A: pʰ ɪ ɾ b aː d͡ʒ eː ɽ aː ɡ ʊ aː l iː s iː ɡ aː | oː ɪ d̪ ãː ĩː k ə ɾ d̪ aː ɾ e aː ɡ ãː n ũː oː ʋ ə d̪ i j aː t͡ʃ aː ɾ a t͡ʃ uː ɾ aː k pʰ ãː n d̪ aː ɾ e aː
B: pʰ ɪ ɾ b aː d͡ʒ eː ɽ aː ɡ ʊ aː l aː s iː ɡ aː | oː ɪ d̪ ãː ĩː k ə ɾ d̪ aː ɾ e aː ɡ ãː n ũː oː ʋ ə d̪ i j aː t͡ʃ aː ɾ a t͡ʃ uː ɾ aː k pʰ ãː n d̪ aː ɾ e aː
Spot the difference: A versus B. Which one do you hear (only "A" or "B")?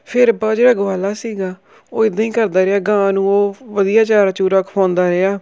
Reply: B